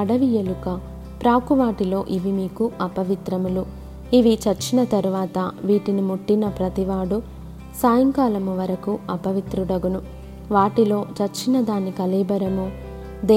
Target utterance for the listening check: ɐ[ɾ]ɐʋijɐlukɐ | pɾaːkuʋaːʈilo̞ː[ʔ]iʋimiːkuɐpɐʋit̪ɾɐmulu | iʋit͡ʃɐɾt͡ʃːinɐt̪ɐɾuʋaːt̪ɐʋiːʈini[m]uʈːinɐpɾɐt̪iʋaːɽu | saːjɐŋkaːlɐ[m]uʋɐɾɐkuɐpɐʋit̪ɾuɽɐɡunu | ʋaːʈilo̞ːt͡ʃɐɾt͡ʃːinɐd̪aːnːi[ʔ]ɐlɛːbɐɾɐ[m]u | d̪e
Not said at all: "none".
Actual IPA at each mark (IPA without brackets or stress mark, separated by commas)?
ɽ, ʔ, m, m, k, m